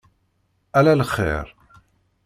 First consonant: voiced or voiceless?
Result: voiced